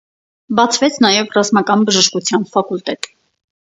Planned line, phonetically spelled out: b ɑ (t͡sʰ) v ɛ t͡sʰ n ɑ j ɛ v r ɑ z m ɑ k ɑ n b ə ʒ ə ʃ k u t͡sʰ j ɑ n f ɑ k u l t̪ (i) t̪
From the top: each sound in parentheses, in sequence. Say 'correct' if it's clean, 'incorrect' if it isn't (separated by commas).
correct, incorrect